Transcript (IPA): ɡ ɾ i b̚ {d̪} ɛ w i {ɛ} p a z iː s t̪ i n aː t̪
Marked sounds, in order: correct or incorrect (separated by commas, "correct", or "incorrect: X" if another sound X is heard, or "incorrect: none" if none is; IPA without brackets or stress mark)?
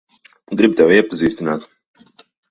incorrect: t̪, correct